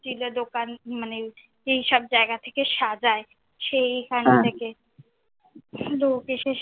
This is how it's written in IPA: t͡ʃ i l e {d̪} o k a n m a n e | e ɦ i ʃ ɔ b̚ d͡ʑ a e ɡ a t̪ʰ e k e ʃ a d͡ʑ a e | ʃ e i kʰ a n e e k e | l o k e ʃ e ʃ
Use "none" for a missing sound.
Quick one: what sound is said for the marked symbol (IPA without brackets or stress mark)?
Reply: d̪